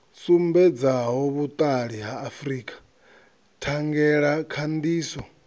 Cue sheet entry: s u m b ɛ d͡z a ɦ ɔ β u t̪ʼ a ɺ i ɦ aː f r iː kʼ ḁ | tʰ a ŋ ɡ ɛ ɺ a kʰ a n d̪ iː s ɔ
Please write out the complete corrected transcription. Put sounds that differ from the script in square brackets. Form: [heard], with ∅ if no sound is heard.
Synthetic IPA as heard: s u m b ɛ d͡z a ɦ ɔ β u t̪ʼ a ɺ i ɦ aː f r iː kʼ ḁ | tʰ a ŋ ɡ ɛ ɺ a kʰ a n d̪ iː s ɔ